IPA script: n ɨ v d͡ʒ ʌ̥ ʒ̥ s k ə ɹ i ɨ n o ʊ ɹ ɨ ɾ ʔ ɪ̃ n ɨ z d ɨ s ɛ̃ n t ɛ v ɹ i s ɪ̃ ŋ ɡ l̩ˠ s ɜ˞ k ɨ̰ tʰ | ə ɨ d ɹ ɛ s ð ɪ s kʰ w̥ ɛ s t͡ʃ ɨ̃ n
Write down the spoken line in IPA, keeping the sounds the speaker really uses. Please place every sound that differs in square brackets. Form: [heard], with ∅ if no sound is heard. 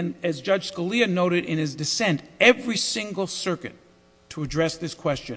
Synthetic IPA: n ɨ [z] d͡ʒ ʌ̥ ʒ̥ s k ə [l] i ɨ n o ʊ [ɾ] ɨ ɾ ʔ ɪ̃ n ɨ z d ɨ s ɛ̃ n t ɛ v ɹ i s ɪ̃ ŋ ɡ l̩ˠ s ɜ˞ k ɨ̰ tʰ | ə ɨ d ɹ ɛ s ð ɪ s kʰ w̥ ɛ s t͡ʃ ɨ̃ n